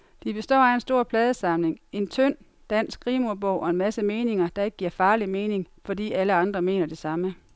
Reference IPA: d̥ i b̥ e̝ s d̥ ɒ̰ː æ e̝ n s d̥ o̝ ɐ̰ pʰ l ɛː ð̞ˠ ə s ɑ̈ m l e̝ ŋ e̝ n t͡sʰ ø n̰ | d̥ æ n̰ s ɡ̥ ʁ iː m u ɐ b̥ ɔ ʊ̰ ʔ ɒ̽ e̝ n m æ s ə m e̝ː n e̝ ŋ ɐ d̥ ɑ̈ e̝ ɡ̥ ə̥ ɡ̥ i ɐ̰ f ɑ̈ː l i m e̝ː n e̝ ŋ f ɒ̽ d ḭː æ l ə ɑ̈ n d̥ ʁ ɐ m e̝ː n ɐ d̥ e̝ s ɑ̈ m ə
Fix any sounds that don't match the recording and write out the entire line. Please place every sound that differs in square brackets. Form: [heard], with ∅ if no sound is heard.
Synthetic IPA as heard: d̥ i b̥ e̝ s d̥ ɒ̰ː æ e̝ n s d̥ o̝ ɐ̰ pʰ l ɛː ð̞ˠ ə s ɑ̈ m l e̝ ŋ e̝ n t͡sʰ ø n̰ | d̥ æ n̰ s ɡ̥ ʁ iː m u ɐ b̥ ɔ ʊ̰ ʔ ɒ̽ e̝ n m æ s ə m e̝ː n e̝ ŋ ɐ d̥ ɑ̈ e̝ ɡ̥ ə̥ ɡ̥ i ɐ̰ f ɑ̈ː l i m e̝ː n e̝ ŋ f ɒ̽ d ḭː æ l ə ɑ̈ n d̥ ʁ ɐ m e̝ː n ɐ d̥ e̝ s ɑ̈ m ə